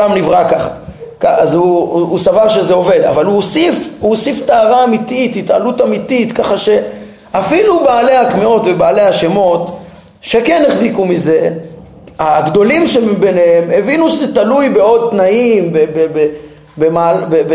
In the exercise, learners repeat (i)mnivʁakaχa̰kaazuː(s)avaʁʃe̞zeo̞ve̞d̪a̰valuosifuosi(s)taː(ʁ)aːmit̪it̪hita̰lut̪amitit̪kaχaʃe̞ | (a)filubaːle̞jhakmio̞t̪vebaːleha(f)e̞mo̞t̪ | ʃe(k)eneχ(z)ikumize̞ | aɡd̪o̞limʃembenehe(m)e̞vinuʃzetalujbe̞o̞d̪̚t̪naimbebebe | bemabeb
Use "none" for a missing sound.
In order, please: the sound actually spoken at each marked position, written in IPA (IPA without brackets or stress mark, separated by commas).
a, s, f, ʁ, a, ʃ, k, z, m